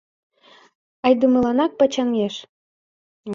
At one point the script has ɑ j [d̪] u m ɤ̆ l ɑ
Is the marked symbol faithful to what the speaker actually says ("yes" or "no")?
yes